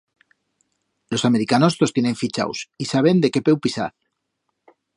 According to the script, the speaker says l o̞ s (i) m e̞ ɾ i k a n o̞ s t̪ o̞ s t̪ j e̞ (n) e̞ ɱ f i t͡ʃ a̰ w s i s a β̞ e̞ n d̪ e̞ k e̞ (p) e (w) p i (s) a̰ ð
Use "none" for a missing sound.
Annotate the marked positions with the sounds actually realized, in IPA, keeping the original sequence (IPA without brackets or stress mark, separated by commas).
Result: a, n, p, w, s